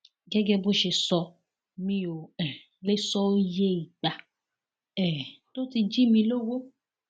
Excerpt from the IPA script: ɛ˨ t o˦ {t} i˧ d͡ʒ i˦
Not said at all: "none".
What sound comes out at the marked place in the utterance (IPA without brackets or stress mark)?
t